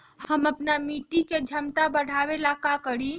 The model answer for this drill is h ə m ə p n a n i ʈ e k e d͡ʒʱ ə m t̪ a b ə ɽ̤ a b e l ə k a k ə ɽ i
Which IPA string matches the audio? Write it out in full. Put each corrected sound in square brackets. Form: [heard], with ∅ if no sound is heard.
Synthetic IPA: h ə m ə p n a [m] i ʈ [i] k e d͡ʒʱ ə m t̪ a b ə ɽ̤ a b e l [a] k a k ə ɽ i